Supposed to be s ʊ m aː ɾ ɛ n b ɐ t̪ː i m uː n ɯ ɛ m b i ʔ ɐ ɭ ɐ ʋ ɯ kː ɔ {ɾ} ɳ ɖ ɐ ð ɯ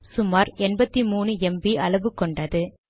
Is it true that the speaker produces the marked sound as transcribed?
no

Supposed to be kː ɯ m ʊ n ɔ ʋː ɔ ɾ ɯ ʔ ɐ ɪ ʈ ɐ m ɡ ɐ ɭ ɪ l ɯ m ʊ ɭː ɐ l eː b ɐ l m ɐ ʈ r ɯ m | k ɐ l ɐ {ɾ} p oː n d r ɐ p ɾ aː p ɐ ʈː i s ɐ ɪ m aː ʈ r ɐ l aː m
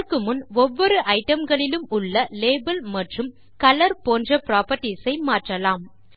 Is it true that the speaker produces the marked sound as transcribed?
yes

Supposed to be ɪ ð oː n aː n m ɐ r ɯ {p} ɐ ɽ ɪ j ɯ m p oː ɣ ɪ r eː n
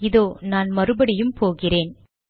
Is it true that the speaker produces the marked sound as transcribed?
no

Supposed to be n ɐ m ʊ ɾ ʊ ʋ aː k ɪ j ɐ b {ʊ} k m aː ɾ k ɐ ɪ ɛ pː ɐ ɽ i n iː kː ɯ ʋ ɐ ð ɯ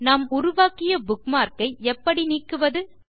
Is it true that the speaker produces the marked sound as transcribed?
yes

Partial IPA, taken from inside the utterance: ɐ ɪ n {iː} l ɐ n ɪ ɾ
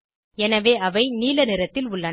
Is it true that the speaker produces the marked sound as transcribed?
yes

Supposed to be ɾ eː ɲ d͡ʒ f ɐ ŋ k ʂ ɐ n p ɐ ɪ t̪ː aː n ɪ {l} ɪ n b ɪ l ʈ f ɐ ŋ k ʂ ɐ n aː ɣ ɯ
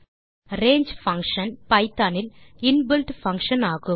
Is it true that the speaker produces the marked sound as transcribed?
yes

